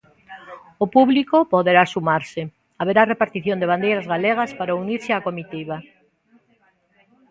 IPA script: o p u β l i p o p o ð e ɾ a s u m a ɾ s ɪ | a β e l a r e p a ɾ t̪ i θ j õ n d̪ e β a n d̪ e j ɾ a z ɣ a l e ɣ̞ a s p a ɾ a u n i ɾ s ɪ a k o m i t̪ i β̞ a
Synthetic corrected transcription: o p u β l i k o p o ð e ɾ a s u m a ɾ s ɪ | a β e ɾ a r e p a ɾ t̪ i θ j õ n d̪ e β a n d̪ e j ɾ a z ɣ a l e ɣ̞ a s p a ɾ a u n i ɾ s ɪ a k o m i t̪ i β̞ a